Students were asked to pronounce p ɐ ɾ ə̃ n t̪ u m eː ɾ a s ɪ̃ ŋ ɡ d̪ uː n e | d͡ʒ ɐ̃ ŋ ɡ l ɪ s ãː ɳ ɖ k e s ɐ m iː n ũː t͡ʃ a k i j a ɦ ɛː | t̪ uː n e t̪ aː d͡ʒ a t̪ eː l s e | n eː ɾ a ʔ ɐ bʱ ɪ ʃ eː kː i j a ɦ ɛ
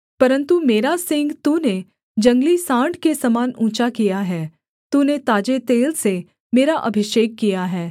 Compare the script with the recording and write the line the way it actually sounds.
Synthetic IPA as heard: p ɐ ɾ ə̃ n t̪ u m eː ɾ a s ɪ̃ ŋ ɡ t̪ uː n e | d͡ʒ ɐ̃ ŋ ɡ l i s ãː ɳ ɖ k e s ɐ m aː n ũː t͡ʃ a k i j a ɦ ɛː | t̪ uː n e t̪ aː d͡ʒ e t̪ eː l s e | m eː ɾ a ʔ ɐ bʱ ɪ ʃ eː kː i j a ɦ ɛː